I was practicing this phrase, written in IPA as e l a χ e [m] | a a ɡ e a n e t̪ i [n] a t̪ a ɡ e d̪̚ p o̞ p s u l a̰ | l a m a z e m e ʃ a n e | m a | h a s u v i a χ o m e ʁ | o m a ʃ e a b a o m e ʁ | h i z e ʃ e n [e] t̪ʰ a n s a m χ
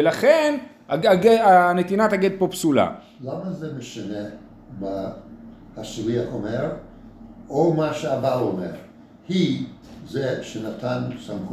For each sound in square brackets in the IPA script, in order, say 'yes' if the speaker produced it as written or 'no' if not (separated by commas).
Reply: no, yes, no